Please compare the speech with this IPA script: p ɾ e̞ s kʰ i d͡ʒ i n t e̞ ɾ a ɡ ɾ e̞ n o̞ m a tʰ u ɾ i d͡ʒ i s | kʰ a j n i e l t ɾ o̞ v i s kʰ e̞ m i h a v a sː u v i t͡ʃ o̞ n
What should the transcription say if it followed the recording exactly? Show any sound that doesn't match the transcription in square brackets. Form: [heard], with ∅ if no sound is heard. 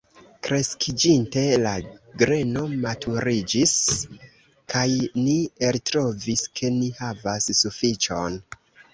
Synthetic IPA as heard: [k] ɾ e̞ s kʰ i d͡ʒ i n t e̞ [l] a ɡ ɾ e̞ n o̞ m a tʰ u ɾ i d͡ʒ i s | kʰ a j n i e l t ɾ o̞ v i s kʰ e̞ [n] i h a v a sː u [f] i t͡ʃ o̞ n